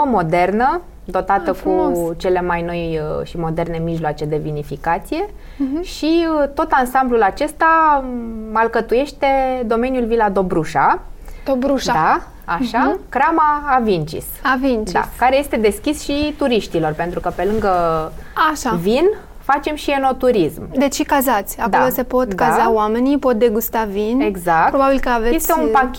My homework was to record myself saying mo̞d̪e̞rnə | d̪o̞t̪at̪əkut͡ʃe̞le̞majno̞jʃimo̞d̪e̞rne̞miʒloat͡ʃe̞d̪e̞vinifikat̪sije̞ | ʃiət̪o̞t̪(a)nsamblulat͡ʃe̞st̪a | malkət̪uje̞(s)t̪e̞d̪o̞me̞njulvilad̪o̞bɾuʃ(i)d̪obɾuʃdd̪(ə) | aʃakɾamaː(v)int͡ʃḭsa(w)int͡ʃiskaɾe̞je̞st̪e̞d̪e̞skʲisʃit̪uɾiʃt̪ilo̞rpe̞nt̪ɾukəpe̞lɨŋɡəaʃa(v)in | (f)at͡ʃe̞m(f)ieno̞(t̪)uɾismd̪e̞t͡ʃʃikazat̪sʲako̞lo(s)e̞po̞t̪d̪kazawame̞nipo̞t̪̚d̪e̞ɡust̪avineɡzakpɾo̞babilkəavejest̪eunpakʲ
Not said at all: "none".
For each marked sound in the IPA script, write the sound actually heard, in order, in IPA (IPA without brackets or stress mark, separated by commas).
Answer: a, ʃ, a, a, v, v, v, f, ʃ, t̪, s